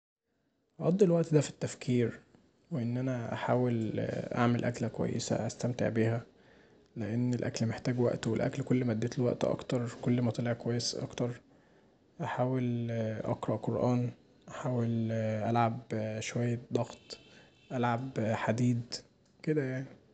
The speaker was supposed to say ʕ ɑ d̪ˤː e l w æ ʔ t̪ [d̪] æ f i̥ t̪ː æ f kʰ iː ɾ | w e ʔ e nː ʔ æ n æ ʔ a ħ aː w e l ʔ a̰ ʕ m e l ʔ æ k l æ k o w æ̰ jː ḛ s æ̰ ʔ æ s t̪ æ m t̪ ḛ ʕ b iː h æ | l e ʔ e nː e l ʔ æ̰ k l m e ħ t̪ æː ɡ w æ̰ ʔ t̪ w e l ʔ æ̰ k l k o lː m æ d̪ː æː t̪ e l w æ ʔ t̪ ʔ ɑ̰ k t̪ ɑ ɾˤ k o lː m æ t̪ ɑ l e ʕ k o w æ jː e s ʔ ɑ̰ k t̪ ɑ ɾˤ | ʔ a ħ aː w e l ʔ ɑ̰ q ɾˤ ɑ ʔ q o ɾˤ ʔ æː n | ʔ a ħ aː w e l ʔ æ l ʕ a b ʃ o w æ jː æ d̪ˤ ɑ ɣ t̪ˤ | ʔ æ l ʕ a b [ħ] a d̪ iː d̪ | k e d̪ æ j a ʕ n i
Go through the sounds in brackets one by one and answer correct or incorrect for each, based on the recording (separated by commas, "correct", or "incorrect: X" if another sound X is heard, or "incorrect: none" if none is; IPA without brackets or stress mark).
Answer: correct, correct